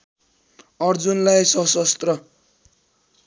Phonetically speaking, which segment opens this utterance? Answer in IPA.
ʌ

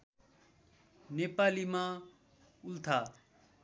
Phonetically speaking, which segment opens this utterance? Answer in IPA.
n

